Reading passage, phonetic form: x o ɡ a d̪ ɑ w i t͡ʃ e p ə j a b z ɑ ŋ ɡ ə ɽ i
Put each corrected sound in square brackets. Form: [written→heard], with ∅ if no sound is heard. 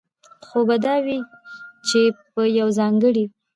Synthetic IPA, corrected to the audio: x o [ɡ→b] a d̪ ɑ w i t͡ʃ e p ə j a [b→w] z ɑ ŋ ɡ ə ɽ i